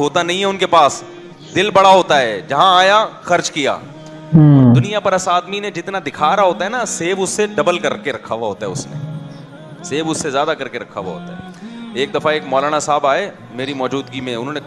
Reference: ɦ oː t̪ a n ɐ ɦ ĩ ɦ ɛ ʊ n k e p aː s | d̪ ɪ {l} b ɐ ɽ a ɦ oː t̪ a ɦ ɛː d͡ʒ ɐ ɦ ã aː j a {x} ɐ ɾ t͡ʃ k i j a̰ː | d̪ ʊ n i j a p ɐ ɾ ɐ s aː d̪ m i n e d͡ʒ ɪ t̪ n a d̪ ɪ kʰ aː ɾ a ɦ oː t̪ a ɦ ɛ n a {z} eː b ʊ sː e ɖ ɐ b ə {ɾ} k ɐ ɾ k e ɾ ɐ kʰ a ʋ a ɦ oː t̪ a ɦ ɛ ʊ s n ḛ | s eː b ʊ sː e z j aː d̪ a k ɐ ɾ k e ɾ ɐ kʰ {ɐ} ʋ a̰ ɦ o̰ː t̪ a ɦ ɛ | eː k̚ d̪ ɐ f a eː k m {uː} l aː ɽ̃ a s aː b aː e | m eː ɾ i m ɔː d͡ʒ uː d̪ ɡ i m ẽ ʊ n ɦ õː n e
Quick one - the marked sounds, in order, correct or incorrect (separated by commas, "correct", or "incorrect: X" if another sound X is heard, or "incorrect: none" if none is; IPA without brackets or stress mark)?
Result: correct, correct, incorrect: s, incorrect: l, incorrect: a, incorrect: ɔː